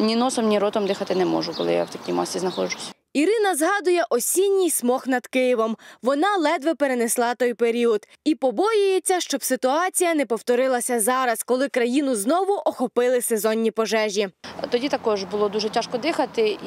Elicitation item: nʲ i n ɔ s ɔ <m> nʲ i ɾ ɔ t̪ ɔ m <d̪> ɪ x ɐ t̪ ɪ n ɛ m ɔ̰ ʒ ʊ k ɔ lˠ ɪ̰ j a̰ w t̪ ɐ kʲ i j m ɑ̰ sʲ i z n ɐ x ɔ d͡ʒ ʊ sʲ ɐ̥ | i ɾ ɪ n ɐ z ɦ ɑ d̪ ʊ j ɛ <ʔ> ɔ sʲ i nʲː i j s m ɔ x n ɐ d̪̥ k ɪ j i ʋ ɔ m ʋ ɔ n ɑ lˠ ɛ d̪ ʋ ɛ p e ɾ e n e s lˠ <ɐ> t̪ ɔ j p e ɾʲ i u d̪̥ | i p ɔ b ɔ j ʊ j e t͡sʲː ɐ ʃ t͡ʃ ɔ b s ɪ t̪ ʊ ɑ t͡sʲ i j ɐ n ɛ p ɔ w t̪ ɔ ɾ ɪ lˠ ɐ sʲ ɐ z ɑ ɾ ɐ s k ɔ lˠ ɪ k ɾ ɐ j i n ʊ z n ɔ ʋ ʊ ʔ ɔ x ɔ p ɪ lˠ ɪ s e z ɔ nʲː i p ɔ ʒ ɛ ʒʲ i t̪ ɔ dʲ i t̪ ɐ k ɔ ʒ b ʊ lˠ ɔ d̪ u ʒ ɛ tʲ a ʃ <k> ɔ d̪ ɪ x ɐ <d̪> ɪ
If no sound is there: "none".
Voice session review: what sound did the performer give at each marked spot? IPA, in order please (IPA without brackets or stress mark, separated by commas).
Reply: m, d̪, ʔ, ɑ, k, t̪